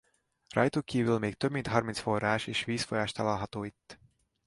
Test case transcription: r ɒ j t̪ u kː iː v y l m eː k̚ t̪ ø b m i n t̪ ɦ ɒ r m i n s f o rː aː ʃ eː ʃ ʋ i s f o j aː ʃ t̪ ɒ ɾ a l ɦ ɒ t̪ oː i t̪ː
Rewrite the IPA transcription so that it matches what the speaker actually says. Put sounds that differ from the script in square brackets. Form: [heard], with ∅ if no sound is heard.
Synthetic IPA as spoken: r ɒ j t̪ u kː iː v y l m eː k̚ t̪ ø b m i n t̪ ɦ ɒ r m i n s f o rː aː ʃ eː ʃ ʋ [iː] s f o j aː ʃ t̪ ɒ [l] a l ɦ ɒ t̪ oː i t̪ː